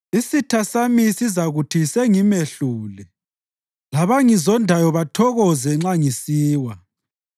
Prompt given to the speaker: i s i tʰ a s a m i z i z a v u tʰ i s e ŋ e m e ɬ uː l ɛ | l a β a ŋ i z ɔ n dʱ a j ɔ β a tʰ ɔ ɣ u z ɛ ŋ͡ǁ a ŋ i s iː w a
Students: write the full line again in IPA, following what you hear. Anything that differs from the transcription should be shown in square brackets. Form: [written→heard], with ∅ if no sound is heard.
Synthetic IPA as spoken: i s i tʰ a s a m i [z→s] i z a [v→ɣ] u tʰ i s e ŋ [e→i] m e ɬ uː l ɛ | l a β a ŋ i z ɔ n dʱ a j ɔ β a tʰ ɔ ɣ [u→ɔ] z ɛ ŋ͡ǁ a ŋ i s iː w a